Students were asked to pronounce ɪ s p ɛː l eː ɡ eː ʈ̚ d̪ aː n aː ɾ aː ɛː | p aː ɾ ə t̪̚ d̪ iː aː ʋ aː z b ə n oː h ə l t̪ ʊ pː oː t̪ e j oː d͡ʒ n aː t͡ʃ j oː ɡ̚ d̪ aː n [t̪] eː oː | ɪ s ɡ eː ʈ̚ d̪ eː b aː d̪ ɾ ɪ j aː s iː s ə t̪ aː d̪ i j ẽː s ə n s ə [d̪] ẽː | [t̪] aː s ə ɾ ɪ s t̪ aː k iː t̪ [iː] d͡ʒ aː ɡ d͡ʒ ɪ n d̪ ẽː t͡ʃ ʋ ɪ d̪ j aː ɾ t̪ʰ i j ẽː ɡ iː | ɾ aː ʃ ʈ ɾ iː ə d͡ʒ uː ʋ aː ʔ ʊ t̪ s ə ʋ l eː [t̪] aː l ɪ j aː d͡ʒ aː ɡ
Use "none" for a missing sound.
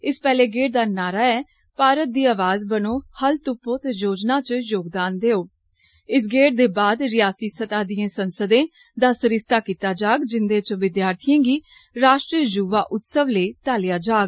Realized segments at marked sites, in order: d̪, d̪, d̪, aː, t̪

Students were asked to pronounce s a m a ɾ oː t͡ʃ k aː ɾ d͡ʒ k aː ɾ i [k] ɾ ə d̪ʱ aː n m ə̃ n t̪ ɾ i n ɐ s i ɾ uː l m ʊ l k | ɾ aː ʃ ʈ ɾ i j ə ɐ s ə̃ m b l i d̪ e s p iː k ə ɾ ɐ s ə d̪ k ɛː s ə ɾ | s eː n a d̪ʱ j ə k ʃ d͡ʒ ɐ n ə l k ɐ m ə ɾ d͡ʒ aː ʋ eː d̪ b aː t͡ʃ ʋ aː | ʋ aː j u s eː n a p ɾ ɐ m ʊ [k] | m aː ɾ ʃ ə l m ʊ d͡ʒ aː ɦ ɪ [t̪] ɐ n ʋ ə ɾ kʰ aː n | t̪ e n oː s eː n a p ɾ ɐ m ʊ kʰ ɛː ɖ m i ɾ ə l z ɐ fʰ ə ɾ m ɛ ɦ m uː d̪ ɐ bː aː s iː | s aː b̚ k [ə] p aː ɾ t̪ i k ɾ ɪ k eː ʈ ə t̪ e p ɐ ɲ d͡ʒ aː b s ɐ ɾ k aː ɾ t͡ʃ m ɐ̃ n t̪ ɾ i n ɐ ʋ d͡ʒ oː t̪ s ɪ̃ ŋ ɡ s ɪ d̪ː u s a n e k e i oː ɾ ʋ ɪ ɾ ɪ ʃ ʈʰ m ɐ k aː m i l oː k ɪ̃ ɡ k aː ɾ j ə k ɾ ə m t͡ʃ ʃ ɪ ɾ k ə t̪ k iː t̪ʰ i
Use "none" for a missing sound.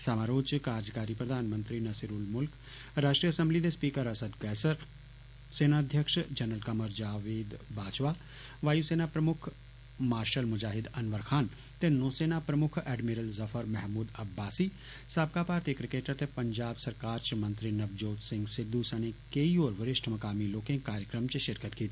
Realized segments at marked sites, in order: p, kʰ, d̪, a

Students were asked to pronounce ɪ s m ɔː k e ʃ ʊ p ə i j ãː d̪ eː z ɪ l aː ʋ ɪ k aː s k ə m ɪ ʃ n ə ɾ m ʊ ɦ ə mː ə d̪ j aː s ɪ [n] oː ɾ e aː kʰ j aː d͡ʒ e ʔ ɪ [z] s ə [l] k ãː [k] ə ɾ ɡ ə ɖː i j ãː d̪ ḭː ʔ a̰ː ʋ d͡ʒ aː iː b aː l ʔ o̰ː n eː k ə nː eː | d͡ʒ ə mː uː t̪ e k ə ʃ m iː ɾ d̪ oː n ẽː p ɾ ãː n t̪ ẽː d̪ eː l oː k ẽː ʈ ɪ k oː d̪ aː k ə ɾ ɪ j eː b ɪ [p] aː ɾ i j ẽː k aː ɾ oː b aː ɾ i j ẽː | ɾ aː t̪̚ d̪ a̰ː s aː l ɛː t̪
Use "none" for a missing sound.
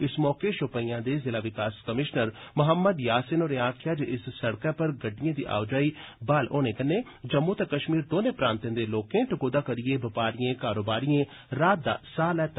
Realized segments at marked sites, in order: n, s, ɽ, p, p

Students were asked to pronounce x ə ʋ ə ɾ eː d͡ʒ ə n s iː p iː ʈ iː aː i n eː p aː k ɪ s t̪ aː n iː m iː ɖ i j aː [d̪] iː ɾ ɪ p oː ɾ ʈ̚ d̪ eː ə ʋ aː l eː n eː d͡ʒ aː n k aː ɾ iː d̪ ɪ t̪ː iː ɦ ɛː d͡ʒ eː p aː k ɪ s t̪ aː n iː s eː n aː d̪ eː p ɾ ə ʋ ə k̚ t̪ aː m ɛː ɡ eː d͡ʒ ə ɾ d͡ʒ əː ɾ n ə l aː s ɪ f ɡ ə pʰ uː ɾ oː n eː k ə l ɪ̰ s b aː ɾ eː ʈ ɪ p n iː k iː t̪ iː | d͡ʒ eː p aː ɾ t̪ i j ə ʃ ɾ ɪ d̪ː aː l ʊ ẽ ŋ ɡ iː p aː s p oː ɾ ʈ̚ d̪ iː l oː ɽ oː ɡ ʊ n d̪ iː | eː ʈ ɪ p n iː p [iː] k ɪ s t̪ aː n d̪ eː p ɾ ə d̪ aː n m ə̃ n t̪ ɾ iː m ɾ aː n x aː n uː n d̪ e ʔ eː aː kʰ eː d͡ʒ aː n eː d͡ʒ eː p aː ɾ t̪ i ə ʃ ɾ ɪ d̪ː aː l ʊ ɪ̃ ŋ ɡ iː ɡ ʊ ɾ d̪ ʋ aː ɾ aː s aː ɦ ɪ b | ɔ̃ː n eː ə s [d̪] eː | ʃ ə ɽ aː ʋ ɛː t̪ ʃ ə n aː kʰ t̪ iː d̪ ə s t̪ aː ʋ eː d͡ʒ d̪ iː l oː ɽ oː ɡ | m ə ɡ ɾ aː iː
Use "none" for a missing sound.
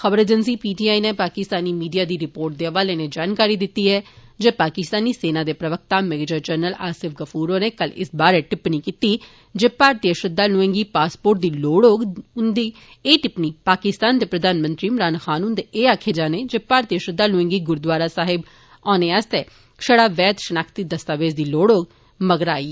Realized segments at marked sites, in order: d̪, aː, t̪

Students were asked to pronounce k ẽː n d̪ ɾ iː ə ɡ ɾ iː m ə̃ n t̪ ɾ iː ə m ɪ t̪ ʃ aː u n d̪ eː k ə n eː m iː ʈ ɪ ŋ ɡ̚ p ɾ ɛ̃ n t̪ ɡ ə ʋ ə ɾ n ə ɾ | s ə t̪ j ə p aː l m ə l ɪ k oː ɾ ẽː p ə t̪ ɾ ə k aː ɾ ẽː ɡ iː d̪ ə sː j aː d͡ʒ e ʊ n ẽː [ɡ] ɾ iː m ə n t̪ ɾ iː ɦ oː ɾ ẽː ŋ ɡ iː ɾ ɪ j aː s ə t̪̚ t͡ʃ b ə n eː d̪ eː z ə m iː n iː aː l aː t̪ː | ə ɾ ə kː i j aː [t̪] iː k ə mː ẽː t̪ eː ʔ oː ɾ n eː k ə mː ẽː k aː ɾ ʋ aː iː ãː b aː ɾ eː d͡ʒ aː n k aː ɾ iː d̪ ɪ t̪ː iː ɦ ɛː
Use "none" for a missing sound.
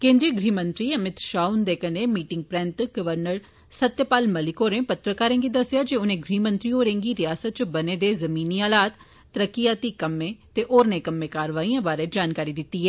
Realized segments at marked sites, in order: ɡ, t̪

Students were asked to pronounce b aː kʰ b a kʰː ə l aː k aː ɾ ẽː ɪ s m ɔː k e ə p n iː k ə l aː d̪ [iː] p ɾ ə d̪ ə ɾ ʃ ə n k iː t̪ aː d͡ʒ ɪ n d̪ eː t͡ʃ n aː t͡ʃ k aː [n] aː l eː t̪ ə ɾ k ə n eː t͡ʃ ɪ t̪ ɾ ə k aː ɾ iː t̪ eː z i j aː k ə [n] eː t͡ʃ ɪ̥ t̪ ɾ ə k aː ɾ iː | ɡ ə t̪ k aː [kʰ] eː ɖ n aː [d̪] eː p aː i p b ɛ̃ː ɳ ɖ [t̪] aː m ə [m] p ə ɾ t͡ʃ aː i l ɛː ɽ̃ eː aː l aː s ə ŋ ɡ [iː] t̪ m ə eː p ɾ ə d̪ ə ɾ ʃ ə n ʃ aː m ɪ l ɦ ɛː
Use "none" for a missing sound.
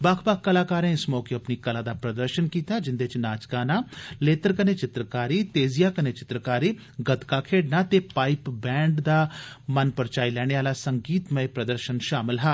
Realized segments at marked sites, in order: aː, n, n, kʰ, t̪, d̪, n, iː

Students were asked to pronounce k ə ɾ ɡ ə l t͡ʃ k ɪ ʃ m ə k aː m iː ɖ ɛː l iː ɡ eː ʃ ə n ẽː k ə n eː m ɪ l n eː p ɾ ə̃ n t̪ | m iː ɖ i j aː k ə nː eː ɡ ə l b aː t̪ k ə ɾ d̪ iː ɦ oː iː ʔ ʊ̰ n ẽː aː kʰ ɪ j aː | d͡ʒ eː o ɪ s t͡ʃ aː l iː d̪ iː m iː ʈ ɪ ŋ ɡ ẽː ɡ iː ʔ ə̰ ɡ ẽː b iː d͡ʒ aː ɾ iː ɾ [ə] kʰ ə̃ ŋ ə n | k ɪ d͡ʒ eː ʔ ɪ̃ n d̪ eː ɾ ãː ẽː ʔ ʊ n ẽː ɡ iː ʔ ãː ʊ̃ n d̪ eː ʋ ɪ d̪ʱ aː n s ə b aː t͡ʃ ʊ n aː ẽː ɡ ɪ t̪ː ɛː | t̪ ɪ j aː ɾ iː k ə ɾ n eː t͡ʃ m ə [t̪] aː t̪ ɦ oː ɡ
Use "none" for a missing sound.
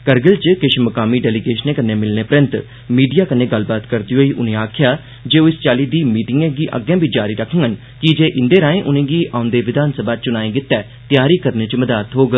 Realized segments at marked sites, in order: ə, d̪

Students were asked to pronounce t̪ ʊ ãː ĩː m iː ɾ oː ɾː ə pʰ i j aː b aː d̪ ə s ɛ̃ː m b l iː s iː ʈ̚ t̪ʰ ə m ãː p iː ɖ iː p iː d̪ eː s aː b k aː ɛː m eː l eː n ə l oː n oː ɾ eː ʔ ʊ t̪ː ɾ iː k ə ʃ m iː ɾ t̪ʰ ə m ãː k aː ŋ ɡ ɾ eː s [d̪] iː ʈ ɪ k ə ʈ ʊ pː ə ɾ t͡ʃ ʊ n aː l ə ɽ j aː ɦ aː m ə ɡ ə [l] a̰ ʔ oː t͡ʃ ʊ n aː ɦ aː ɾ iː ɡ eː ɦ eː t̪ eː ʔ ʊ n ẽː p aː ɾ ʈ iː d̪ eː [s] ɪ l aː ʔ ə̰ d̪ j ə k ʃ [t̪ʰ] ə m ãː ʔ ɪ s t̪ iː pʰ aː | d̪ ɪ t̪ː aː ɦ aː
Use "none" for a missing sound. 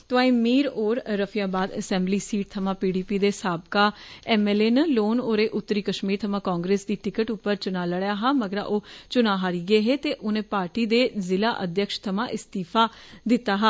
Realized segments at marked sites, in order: d̪, ɾ, z, t̪ʰ

